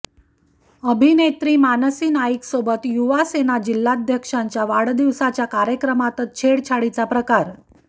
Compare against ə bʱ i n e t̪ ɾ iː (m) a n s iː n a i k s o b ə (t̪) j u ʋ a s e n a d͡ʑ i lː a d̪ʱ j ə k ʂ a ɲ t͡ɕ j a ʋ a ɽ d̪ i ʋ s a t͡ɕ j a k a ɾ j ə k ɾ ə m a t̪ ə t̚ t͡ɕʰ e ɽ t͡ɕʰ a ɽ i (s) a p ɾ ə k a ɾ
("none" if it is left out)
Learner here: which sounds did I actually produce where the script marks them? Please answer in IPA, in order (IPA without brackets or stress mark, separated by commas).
m, t̪, t͡s